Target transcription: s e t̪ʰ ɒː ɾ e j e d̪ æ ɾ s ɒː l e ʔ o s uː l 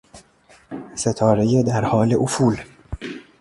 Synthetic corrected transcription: s e t̪ʰ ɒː ɾ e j e d̪ æ ɾ h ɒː l e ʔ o f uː l

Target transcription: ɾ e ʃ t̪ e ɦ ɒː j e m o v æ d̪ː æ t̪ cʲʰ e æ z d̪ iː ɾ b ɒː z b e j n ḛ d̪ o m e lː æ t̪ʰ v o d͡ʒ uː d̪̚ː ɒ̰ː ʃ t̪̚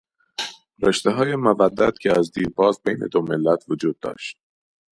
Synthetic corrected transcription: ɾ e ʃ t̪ e ɦ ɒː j e m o v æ d̪ː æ t̪ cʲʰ e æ z d̪ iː ɾ b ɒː z b e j n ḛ d̪ o m e lː æ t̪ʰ v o d͡ʒ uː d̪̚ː ɒ̰ː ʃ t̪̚

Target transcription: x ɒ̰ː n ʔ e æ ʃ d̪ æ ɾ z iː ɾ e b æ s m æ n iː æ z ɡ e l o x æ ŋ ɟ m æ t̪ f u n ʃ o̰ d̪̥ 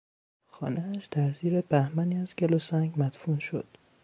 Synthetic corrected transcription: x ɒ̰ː n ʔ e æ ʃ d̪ æ ɾ z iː ɾ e b æ h m æ n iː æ z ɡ e l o s æ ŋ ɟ m æ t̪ f u n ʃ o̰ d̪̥

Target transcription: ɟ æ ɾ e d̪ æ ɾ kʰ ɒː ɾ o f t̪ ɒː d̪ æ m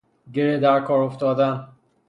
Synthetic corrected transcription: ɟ e ɾ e d̪ æ ɾ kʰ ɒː ɾ o f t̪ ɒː d̪ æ n

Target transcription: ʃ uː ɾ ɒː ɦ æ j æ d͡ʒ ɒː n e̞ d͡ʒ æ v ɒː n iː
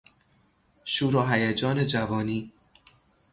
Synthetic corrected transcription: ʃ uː ɾ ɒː ɦ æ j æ d͡ʒ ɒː n e̞ d͡ʒ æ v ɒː n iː

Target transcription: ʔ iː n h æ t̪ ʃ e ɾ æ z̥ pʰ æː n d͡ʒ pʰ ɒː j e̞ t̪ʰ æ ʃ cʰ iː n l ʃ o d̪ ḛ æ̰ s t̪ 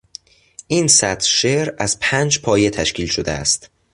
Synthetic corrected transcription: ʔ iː n s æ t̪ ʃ e ɾ æ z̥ pʰ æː n d͡ʒ pʰ ɒː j e̞ t̪ʰ æ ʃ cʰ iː l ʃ o d̪ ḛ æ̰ s t̪

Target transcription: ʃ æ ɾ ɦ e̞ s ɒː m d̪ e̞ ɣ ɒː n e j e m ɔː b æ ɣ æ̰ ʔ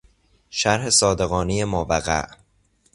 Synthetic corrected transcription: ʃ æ ɾ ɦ e̞ s ɒː d̪ e̞ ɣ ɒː n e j e m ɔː v æ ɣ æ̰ ʔ

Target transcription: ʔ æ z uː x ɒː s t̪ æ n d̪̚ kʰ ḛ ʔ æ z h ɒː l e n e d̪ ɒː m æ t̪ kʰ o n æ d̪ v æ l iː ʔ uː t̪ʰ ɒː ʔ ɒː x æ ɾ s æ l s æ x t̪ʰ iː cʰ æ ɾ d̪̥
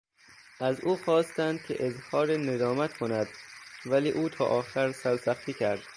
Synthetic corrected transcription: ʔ æ z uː x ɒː s t̪ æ n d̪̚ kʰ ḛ ʔ e z h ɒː ɾ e n e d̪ ɒː m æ t̪ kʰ o n æ d̪ v æ l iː ʔ uː t̪ʰ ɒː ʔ ɒː x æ ɾ s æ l s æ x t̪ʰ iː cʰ æ ɾ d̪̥

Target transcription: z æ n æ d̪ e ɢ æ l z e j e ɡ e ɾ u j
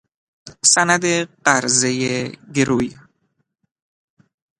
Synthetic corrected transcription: s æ n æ d̪ e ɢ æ ɾ z e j e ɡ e ɾ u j

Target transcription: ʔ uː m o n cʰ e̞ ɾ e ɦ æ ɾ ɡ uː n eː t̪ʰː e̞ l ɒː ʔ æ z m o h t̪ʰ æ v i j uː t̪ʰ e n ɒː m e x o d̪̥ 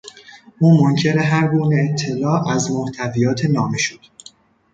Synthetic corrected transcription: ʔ uː m o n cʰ e̞ ɾ e ɦ æ ɾ ɡ uː n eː t̪ʰː e̞ l ɒː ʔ æ z m o h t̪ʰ æ v i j ɒː t̪ʰ e n ɒː m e ʃ o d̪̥

